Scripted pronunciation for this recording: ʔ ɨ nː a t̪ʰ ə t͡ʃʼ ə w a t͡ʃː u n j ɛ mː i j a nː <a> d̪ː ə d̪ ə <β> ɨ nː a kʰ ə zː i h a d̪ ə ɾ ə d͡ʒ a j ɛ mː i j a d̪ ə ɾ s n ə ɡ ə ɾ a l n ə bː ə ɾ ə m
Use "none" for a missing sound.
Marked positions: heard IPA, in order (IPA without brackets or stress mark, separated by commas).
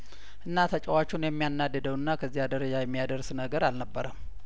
a, w